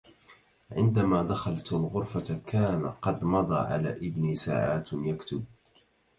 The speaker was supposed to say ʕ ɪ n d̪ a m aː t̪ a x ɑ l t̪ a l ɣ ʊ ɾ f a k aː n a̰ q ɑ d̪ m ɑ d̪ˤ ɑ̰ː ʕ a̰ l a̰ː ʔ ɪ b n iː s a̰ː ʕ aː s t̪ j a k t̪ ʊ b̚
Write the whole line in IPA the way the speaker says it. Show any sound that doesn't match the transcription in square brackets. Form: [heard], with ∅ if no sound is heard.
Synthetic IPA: ʕ ɪ n d̪ a m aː [d̪] a x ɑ l t̪ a l ɣ ʊ ɾ f a k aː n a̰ q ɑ d̪ m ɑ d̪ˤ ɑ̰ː ʕ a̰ l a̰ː ʔ ɪ b n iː s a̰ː ʕ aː [∅] t̪ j a k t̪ ʊ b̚